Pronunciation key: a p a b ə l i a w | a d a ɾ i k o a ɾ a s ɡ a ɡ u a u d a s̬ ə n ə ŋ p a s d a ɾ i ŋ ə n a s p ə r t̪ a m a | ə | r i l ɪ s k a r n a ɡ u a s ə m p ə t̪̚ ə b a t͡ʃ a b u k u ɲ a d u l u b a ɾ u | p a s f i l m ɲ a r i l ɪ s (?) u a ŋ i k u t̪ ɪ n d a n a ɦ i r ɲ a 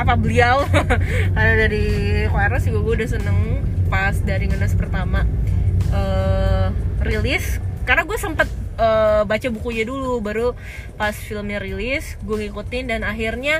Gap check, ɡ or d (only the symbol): ɡ